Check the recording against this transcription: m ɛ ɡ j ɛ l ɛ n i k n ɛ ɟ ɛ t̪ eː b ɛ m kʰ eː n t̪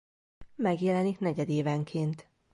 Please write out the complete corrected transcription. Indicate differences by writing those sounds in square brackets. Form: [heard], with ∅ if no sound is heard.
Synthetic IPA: m ɛ ɡ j ɛ l ɛ n i k n ɛ ɟ ɛ [d̪] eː [v] ɛ [ŋ] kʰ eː n t̪

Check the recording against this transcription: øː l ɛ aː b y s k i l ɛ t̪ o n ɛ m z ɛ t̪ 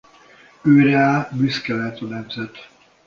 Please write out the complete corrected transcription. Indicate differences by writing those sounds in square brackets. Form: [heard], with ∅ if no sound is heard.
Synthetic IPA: øː [ɾ] ɛ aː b y s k [ɛ] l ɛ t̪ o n ɛ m z ɛ t̪

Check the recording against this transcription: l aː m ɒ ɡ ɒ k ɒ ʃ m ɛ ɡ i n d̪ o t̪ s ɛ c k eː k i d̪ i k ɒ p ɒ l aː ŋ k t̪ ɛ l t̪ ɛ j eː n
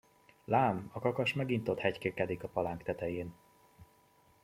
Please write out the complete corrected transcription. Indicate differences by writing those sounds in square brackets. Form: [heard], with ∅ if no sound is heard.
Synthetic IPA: l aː m ɒ [k] ɒ k ɒ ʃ m ɛ ɡ i n [t̪] o t̪ [h] ɛ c k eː k [ɛ] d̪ i k ɒ p ɒ l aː ŋ k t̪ ɛ [∅] t̪ ɛ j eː n

